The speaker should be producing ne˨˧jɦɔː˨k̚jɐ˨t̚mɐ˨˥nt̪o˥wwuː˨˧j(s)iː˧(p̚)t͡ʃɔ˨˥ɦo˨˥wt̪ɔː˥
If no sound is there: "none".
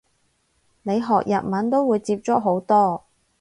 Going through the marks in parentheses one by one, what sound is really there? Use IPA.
t͡s, p̚

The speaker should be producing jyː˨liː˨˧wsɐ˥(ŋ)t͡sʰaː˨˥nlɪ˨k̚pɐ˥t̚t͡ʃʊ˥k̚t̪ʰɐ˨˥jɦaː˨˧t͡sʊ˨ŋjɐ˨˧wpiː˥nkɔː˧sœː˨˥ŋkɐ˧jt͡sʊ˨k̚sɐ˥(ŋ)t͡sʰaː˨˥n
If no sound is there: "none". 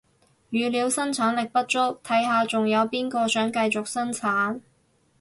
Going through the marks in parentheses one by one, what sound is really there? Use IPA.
n, n

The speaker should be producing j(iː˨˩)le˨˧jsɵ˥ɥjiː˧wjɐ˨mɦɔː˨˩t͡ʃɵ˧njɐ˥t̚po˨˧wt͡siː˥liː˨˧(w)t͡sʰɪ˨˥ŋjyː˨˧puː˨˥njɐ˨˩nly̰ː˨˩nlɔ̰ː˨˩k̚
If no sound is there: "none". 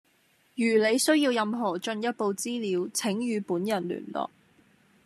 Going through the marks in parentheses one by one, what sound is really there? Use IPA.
yː˨˩, w

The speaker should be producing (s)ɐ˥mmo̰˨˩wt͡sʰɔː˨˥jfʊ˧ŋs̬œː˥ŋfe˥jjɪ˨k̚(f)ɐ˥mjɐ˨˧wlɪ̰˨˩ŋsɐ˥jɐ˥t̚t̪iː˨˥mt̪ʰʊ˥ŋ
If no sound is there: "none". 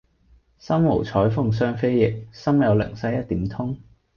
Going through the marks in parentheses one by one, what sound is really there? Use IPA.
s, s

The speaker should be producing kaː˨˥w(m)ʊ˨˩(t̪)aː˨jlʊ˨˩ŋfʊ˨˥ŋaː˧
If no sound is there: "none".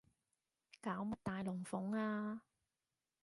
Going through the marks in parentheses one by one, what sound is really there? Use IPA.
m, t̪

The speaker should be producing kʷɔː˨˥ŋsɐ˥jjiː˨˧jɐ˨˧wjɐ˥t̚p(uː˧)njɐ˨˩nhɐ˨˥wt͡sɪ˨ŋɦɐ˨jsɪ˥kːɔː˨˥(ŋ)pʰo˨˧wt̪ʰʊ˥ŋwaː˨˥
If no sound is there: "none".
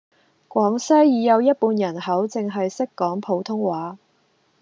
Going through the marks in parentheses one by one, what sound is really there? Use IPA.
uː˧, ŋ

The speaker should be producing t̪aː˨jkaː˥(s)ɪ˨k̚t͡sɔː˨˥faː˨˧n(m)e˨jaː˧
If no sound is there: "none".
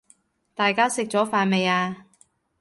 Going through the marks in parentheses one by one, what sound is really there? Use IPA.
s, m

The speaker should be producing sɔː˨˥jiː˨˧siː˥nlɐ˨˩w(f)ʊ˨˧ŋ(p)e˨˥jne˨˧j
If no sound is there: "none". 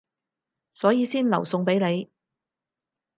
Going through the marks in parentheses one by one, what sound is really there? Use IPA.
s, p

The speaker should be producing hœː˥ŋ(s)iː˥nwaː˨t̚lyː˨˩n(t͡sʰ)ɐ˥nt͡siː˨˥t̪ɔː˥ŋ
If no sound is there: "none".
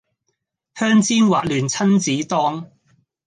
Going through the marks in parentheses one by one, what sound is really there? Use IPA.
t͡s, t͡sʰ

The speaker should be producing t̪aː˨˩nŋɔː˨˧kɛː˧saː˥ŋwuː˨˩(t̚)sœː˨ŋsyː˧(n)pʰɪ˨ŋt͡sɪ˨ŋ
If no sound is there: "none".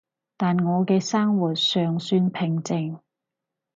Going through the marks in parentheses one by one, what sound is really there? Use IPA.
t̚, n

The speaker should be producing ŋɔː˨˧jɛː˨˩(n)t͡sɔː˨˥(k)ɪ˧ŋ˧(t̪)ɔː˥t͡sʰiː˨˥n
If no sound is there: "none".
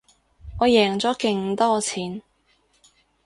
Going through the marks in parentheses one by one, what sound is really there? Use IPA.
ŋ, k, t̪

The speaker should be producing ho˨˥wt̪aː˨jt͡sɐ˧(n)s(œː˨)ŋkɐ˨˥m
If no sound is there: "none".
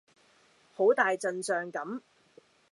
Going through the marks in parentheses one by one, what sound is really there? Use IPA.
n, œː˨

